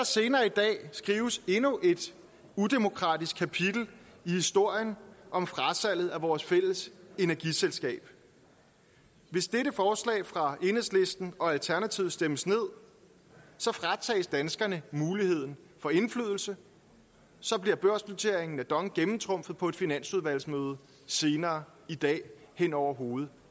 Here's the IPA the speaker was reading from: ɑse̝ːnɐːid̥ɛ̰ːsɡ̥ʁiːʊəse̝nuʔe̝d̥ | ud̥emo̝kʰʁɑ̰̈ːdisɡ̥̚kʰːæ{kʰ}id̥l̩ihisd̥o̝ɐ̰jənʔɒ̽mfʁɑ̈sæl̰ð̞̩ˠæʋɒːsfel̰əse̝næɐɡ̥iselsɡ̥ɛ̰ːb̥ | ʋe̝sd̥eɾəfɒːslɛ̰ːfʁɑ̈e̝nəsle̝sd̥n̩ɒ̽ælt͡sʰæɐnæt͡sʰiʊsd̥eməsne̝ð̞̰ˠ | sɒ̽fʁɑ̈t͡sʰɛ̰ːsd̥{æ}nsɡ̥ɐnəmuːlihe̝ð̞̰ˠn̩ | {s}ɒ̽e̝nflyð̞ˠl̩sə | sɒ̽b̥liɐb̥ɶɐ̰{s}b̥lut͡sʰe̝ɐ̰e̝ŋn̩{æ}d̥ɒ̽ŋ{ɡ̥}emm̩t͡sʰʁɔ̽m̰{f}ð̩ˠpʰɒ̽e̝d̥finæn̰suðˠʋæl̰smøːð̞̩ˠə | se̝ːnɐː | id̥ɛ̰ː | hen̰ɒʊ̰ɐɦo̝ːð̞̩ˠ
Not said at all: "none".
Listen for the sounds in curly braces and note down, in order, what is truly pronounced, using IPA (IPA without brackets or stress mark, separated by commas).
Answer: pʰ, æ, f, s, æ, ɡ̥, f